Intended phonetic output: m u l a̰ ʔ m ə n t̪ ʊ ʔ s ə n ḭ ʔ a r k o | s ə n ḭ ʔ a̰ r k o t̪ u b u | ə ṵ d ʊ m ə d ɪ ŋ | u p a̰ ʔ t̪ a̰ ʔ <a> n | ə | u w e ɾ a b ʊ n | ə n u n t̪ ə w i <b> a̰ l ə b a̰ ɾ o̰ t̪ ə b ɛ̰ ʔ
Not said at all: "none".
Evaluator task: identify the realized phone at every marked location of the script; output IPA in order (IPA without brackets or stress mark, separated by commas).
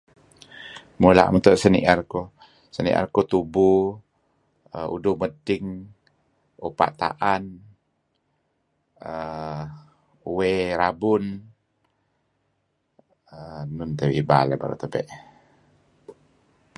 a, b